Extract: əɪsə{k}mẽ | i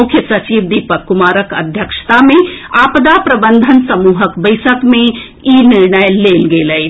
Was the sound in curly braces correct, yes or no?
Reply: yes